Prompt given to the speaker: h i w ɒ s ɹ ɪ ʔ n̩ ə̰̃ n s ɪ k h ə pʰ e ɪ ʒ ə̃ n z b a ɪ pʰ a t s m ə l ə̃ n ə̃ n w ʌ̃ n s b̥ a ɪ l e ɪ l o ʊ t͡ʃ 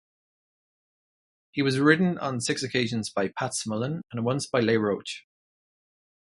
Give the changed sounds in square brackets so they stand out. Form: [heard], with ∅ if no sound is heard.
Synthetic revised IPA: h i w ɒ [z] ɹ ɪ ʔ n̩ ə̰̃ n s ɪ k [s] ə [kʰ] e ɪ ʒ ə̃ n z b a ɪ pʰ a t s m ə l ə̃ n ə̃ n w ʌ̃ n s b̥ a ɪ l e ɪ [ɹ] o ʊ t͡ʃ